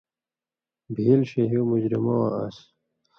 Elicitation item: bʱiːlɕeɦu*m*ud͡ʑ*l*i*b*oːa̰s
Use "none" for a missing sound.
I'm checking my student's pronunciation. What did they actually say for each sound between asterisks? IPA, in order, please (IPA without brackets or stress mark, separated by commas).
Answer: m, ɾ, m